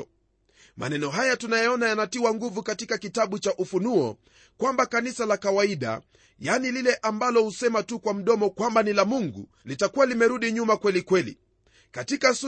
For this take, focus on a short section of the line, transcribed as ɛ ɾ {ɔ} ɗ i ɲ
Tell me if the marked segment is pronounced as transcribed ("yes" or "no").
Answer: no